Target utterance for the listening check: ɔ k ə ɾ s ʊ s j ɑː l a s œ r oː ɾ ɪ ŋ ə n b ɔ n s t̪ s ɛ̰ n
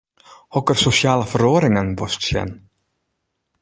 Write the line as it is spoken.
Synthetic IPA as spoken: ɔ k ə ɾ s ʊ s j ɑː l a f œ ɾ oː ɾ ɪ ŋ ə n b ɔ s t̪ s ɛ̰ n

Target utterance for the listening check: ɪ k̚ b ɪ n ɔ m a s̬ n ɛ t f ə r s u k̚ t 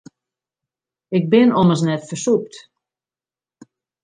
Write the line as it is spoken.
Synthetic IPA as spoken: ɪ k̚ b ɪ n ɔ m ə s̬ n ɛ t f ə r s u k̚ t

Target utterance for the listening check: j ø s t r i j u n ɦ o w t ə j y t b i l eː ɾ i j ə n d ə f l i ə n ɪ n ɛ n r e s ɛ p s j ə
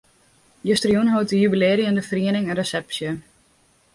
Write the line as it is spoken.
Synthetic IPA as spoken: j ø s t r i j u n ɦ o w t ə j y b i l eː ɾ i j ə n d ə f r i ə n ɪ ŋ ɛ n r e s ɛ p s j ə

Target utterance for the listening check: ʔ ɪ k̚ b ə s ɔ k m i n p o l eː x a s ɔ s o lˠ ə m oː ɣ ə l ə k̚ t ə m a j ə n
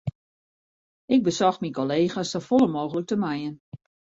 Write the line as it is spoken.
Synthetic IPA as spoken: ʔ ɪ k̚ b ə s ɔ x m i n k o l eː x a s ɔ f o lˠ ə m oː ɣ ə l ə k̚ t ə m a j ə n

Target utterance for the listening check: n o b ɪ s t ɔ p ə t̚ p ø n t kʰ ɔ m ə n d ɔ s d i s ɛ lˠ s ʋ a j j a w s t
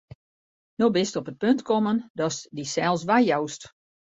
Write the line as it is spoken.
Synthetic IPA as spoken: n o b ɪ s t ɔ p ə t̚ p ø n t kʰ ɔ m ə n d ɔ s d i s ɛ lˠ s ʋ a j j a w s t

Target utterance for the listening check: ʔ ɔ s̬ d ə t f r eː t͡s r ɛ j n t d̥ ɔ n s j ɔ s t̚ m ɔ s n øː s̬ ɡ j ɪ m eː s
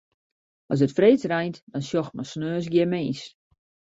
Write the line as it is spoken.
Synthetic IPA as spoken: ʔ ɔ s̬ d ə t f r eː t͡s r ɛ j n t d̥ ɔ n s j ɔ x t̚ m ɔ s n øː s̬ ɡ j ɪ m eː s

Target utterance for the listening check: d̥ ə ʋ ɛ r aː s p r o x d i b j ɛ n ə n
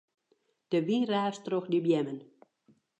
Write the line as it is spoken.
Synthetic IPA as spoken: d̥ ə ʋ i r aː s t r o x d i b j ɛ m ə n

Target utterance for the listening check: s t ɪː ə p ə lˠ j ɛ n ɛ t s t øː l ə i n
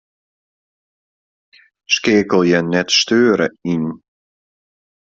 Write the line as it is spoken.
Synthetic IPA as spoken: s k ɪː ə k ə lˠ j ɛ n ɛ t s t øː ɾ ə i n

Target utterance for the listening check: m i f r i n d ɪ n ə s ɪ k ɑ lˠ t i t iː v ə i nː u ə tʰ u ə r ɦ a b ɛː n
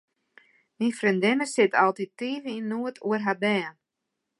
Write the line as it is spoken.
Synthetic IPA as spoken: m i f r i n d ɪ n ə s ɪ t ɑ lˠ t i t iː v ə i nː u ə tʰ u ə r ɦ a b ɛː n

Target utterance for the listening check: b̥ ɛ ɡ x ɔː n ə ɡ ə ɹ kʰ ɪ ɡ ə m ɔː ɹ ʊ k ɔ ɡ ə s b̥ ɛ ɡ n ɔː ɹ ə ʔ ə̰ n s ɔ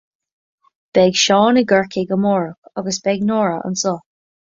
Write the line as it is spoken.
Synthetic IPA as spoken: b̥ ɛ ɡ ʃ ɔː n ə ɡ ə ɹ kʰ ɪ ɡ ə m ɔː ɹ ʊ k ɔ ɡ ə s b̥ ɛ ɡ n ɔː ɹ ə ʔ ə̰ n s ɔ

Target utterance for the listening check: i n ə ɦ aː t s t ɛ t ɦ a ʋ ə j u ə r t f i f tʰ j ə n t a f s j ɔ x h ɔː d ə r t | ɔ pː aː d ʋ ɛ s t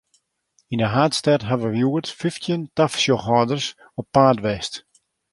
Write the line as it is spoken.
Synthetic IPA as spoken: i n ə ɦ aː t s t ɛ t ɦ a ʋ ə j u ə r t f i f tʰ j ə n t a f s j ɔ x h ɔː d ə r s | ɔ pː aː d ʋ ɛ s t

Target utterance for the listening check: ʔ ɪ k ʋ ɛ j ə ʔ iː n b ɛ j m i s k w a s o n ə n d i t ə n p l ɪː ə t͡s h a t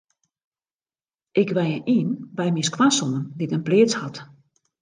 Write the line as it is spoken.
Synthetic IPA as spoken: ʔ ɪ k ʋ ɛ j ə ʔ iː n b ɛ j m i s k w a s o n ə n d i t ə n p l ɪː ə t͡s h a t

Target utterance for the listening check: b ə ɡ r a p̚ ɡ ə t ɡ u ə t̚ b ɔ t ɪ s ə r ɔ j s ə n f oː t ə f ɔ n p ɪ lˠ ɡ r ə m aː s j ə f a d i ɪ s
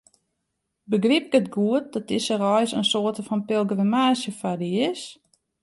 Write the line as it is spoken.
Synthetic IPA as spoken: b ə ɡ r i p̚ ɡ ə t ɡ u ə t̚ d ɔ t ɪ s ə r ɔ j s ə n s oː t ə f ɔ n p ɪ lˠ ɡ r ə m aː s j ə f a d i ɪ s

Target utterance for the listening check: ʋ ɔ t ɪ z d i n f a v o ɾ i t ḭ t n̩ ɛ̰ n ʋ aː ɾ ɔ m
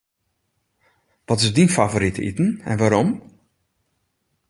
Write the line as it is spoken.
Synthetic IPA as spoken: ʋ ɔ t ɪ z d i n f a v o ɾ i t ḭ t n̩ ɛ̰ n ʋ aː ɾ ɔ m

